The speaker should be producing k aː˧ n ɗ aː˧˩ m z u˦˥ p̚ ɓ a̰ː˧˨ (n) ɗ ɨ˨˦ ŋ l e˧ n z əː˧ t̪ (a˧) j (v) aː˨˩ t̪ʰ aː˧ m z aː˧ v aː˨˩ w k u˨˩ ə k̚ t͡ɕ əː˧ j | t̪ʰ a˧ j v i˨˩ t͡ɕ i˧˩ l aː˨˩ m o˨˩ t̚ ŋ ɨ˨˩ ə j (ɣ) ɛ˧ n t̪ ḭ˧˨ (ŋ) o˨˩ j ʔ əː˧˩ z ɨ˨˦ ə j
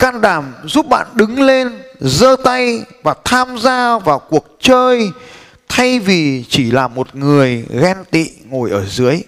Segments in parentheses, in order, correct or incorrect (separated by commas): correct, correct, correct, correct, correct